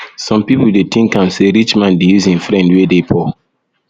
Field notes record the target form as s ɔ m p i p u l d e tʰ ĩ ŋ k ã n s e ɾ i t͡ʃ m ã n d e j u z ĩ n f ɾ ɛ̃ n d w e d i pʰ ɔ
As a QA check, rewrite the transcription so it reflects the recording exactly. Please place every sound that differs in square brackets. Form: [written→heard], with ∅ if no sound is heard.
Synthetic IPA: s [ɔ→ɔ̃] m p i p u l d e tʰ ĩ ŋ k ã n s e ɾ i t͡ʃ m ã n d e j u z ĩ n f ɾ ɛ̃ n d w e d [i→e] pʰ ɔ